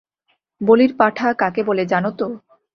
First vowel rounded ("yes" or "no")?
yes